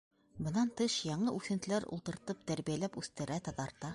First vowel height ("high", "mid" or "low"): mid